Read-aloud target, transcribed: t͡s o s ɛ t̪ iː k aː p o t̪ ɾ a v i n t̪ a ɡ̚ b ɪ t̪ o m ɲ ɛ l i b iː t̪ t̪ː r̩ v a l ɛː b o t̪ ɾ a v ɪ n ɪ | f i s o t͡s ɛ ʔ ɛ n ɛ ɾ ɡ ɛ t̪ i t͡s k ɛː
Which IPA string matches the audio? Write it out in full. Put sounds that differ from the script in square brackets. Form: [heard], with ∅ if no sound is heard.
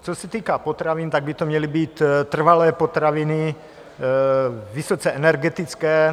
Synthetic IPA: t͡s o s ɛ t̪ iː k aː p o t̪ ɾ a v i n t̪ a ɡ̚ b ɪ t̪ o m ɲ ɛ l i b iː t̪ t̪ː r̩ v a l ɛː [p] o t̪ ɾ a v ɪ n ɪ | [v] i s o t͡s ɛ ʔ ɛ n ɛ ɾ ɡ ɛ t̪ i t͡s k ɛː